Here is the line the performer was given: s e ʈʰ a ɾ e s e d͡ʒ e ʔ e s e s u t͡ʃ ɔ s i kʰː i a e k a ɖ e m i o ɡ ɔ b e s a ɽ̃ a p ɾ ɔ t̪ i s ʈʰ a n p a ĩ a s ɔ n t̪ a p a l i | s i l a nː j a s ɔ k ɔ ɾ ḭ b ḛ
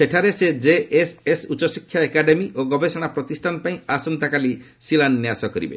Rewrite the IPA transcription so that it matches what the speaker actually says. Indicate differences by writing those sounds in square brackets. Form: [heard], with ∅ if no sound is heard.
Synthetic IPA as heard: s e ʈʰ a ɾ e s e d͡ʒ e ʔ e s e s u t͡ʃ ɔ s i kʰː [j] a e k a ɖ e m i o ɡ ɔ b e s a ɽ̃ a p ɾ ɔ t̪ i s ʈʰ a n p a ĩ a s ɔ n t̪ a [k] a l i | s i l a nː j a s ɔ k ɔ ɾ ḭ b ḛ